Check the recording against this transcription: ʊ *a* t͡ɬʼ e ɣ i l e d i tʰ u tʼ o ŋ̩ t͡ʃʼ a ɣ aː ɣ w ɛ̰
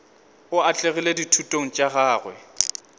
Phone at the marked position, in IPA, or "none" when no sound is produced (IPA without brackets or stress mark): a